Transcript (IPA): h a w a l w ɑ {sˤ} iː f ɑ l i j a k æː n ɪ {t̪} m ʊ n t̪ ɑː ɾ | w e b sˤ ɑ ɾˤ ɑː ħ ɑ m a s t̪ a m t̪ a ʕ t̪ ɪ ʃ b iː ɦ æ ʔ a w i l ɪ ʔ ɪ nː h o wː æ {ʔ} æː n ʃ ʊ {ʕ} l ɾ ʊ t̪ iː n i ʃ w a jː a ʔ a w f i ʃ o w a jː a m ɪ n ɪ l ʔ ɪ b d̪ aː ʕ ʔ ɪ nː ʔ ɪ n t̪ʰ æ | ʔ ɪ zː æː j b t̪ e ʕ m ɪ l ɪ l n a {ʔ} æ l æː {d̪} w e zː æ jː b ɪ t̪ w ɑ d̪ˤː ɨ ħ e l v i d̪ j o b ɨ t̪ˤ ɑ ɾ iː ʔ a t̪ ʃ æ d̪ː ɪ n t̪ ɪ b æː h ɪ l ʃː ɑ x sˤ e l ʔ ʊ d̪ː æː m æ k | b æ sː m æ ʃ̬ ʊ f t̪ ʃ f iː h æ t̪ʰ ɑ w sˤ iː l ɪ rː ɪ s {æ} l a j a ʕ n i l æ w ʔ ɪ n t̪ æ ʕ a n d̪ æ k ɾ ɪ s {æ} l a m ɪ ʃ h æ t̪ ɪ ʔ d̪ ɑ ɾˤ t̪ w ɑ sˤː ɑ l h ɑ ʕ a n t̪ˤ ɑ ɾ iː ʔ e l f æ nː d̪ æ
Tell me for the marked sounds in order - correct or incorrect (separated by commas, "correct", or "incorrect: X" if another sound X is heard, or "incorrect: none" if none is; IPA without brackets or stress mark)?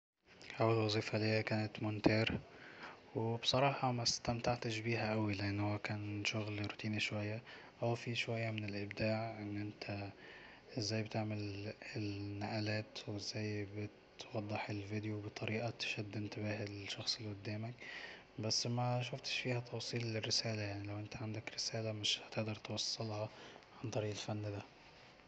incorrect: zˤ, correct, incorrect: k, incorrect: ɣ, correct, incorrect: t̪, incorrect: æː, incorrect: æː